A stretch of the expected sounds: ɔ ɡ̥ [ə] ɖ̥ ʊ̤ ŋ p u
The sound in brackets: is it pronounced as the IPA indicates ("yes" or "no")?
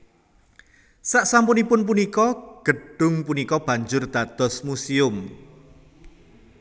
yes